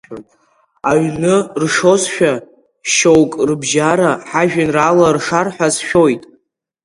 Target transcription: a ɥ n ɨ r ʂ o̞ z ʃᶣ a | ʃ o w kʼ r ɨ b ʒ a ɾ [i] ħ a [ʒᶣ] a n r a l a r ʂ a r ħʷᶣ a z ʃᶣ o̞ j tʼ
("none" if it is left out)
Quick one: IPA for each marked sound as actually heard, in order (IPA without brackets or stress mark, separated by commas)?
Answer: a, ʒᶣ